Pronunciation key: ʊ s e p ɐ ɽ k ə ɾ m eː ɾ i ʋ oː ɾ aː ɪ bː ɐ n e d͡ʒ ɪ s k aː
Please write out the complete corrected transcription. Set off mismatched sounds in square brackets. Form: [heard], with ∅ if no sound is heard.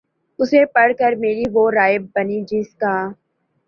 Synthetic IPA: ʊ s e p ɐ ɽ k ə ɾ m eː ɾ i ʋ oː ɾ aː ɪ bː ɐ n [i] d͡ʒ ɪ s k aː